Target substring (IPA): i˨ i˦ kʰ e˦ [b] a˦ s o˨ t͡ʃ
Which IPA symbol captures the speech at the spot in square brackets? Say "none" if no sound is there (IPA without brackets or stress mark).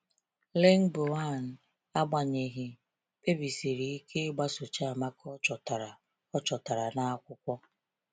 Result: ɡ͡b